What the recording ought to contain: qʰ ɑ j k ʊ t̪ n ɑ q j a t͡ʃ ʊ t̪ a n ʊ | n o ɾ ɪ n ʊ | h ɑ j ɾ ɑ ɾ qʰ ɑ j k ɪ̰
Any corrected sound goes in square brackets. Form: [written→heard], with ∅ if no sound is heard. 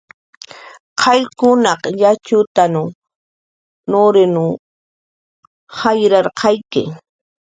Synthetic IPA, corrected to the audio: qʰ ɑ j k ʊ [t̪→∅] n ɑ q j a t͡ʃ ʊ t̪ a n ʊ | n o ɾ ɪ n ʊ | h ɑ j ɾ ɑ ɾ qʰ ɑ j k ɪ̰

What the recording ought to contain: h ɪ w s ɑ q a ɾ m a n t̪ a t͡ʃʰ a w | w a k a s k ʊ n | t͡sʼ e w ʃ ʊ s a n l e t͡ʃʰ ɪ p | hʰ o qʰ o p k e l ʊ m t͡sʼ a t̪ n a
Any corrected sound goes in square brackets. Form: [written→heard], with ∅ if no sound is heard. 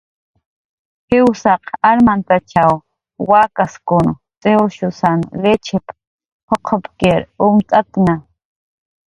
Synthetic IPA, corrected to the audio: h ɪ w s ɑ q a ɾ m a n t̪ a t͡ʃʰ a w | w a k a s k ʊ n | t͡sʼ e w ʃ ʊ s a n l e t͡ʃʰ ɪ p | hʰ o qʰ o p k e [l→ɾ] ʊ m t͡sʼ a t̪ n a

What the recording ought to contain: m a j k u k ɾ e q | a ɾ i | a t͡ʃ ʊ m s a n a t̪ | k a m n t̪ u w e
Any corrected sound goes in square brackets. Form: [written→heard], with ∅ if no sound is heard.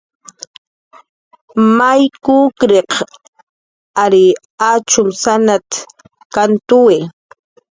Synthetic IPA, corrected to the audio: m a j k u k ɾ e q | a ɾ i | a t͡ʃ ʊ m s a n a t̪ | k a [m→∅] n t̪ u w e

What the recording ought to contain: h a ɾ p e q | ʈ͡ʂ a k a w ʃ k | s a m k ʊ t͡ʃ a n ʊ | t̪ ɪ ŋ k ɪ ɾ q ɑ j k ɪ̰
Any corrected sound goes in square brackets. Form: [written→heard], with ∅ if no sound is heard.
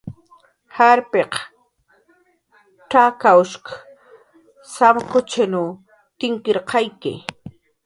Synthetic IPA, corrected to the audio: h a ɾ p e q | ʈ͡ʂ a k a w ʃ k | s a m k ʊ t͡ʃ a n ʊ | t̪ ɪ ŋ k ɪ ɾ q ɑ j k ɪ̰

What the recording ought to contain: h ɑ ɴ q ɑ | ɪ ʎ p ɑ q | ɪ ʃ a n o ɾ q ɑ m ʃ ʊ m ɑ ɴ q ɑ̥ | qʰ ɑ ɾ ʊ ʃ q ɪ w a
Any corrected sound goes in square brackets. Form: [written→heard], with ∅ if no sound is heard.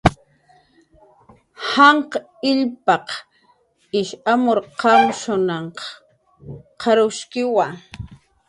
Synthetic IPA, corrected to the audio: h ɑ ɴ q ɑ | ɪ ʎ p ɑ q | ɪ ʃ a [n→m] o ɾ q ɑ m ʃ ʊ [m→n] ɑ ɴ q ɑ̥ | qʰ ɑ ɾ ʊ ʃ [q→k] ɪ w a

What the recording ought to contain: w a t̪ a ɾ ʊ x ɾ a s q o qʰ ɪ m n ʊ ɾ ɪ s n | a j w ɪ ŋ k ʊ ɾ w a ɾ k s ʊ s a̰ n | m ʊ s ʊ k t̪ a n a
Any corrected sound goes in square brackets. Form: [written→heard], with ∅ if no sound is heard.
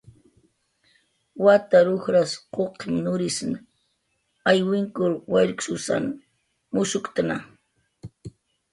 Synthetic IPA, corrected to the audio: w a t̪ a ɾ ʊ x ɾ a s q o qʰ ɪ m n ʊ ɾ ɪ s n | a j w ɪ ŋ k ʊ ɾ w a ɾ k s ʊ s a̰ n | m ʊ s ʊ k t̪ a n a

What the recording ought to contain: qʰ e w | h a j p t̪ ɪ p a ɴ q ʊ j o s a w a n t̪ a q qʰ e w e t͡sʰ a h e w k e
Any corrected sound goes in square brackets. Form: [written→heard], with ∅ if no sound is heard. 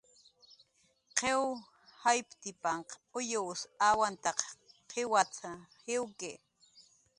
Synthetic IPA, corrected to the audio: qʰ e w | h a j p t̪ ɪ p a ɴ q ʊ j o s a w a n t̪ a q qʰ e w [e→a] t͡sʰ a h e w k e

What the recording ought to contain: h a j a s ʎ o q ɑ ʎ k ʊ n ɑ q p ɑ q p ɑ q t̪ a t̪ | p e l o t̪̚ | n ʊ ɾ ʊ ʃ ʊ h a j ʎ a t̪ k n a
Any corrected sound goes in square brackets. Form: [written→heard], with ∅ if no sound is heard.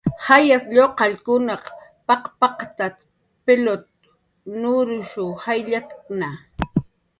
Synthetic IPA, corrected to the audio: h a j a s ʎ o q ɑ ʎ k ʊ n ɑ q p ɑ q p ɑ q t̪ a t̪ | p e l o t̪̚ | n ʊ ɾ ʊ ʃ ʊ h a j ʎ a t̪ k n a

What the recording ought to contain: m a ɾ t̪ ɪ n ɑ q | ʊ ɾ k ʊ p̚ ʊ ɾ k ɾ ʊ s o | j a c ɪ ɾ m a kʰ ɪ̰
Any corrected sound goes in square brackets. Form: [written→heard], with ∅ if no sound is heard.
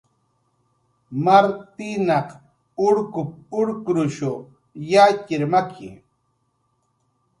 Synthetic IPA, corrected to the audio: m a ɾ t̪ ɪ n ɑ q | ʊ ɾ k ʊ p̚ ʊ ɾ k ɾ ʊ [s→ʃ] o | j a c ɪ ɾ m a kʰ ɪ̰

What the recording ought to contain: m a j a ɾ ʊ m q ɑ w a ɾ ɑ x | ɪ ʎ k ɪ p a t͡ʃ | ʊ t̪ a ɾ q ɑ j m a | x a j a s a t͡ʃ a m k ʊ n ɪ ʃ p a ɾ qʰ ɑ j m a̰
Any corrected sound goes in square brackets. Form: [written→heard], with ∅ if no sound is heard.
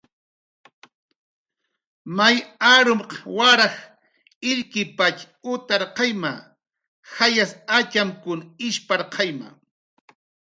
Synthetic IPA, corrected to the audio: m a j a ɾ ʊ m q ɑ w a ɾ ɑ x | ɪ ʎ k ɪ p a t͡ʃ | ʊ t̪ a ɾ q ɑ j m a | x a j a s a t͡ʃ a m k ʊ n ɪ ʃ p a ɾ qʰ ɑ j m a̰

